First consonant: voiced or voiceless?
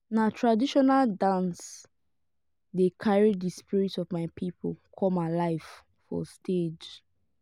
voiced